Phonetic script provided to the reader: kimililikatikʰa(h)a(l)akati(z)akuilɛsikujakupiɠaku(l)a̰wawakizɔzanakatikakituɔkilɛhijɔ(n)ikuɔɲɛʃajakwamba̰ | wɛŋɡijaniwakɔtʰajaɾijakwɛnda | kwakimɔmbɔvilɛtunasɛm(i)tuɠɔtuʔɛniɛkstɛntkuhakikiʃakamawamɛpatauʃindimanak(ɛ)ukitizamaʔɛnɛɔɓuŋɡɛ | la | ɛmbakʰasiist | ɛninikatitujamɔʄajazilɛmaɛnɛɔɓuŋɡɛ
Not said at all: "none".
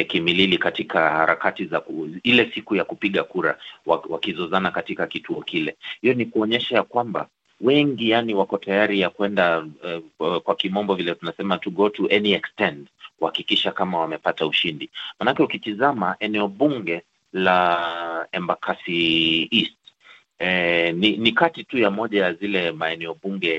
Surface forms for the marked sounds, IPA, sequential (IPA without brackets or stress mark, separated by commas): h, ɾ, z, ɾ, n, a, ɛ